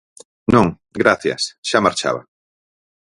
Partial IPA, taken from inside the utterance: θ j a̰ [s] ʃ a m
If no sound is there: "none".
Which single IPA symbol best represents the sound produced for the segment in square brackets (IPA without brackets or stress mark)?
s